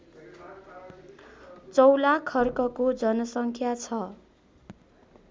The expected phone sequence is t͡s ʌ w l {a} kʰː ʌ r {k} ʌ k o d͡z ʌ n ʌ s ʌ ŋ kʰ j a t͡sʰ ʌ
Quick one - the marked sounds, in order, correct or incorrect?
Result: correct, correct

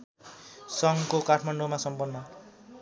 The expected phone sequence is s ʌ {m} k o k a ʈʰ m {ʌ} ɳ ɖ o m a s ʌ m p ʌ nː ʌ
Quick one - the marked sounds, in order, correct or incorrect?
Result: incorrect: ŋ, incorrect: a

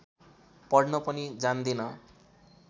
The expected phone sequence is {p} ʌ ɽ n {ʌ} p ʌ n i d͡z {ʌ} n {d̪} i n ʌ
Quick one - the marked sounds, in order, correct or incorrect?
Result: correct, correct, incorrect: a, correct

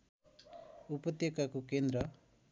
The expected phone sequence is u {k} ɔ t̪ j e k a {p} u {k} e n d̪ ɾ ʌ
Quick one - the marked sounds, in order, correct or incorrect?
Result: incorrect: p, incorrect: k, correct

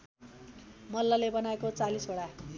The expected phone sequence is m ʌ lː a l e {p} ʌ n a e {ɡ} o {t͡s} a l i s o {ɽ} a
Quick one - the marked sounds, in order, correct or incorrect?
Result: incorrect: b, incorrect: k, correct, correct

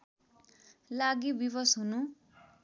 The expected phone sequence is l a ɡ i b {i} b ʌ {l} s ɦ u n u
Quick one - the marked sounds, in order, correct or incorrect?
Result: correct, incorrect: none

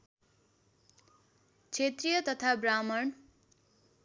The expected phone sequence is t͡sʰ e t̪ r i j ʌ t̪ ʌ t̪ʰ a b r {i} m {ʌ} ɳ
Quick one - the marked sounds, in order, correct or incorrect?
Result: incorrect: a, correct

